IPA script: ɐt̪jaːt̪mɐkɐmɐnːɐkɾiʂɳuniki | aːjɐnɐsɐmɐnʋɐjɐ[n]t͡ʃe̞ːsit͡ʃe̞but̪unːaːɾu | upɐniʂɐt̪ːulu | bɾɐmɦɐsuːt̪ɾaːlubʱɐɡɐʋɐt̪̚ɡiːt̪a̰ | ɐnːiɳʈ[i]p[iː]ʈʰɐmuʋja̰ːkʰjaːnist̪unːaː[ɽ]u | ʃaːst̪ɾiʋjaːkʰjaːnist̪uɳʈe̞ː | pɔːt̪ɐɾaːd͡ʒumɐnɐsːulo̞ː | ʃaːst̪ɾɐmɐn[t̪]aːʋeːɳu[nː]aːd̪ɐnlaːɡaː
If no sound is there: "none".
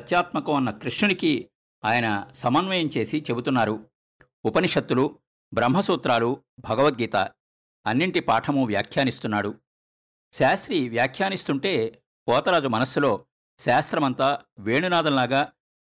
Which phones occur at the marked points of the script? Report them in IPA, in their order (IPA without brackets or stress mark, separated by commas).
m, i, aː, ɽ, t̪, n